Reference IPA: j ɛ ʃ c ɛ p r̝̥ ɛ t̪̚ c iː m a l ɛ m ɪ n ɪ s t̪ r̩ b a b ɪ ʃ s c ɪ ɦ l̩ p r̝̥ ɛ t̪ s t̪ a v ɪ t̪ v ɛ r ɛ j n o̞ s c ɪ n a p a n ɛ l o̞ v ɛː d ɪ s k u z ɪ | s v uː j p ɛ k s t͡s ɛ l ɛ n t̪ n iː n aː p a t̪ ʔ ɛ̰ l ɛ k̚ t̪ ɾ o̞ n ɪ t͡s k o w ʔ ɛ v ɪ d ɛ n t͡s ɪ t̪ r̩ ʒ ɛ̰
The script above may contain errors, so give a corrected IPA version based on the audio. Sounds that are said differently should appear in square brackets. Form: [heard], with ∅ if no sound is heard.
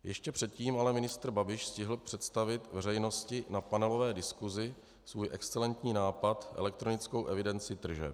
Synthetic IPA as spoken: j ɛ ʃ c ɛ p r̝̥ ɛ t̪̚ c iː m a l ɛ m ɪ n ɪ s t̪ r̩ b a b ɪ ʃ s c ɪ ɦ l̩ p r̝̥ ɛ t̪ s t̪ a v ɪ t̪ v ɛ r ɛ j n o̞ s c ɪ n a p a n ɛ l o̞ v ɛː d ɪ s k u z ɪ | s v uː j [ʔ] ɛ k s t͡s ɛ l ɛ n t̪ [ɲ] iː n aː p a t̪ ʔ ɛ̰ l ɛ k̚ t̪ ɾ o̞ n ɪ t͡s k o w ʔ ɛ v ɪ d ɛ n t͡s ɪ t̪ r̩ ʒ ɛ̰